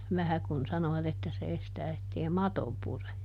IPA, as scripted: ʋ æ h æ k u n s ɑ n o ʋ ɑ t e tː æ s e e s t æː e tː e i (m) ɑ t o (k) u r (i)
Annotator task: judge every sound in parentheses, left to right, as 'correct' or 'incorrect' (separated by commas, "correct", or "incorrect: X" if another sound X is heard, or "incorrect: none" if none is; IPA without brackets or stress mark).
correct, incorrect: p, incorrect: e